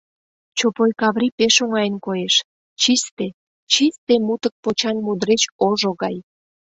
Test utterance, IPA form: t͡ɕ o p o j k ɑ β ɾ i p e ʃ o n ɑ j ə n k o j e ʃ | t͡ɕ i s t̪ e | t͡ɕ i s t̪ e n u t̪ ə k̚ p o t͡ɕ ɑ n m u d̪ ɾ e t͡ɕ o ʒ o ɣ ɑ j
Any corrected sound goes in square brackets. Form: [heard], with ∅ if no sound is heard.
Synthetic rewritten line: t͡ɕ o p o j k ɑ β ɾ i p e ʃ o [ŋ] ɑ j ə n k o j e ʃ | t͡ɕ i s t̪ e | t͡ɕ i s t̪ e [m] u t̪ ə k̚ p o t͡ɕ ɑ n m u d̪ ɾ e t͡ɕ o ʒ o ɣ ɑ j